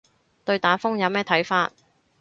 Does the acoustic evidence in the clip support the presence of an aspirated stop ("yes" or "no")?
yes